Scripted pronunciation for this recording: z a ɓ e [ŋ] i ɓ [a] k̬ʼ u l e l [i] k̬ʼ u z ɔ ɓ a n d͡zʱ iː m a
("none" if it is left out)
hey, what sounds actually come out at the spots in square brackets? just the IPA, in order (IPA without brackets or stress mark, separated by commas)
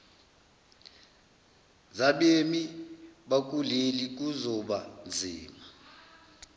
m, a, i